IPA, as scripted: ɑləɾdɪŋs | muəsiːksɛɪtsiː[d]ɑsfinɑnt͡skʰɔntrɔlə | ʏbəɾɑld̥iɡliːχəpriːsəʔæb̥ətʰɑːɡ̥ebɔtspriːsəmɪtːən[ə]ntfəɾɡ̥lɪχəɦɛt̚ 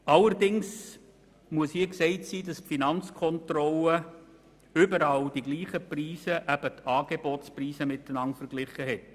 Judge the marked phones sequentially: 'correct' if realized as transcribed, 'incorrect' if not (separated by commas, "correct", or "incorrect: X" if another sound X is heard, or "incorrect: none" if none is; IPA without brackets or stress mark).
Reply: correct, incorrect: ɑ